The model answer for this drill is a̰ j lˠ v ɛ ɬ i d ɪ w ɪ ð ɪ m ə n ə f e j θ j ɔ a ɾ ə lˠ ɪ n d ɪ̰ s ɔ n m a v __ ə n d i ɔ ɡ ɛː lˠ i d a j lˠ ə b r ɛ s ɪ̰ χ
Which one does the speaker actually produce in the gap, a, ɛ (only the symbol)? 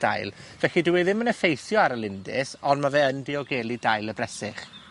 ɛ